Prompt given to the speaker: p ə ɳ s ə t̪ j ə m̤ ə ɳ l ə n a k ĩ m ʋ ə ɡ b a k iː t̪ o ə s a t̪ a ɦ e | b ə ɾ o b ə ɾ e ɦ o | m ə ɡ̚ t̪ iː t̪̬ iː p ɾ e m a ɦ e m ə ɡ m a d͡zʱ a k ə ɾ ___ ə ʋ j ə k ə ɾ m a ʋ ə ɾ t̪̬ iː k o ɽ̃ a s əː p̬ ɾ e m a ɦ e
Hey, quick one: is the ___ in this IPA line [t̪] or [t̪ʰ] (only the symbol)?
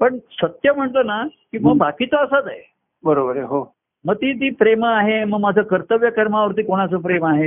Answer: t̪